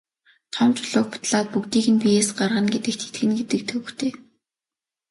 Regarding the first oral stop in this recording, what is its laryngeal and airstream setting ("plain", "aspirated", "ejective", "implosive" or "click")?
aspirated